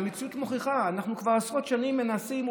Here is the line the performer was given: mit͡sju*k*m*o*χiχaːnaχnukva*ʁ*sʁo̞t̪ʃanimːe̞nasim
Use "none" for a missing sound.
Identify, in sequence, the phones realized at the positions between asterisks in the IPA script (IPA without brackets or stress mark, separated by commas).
t, o, ʁ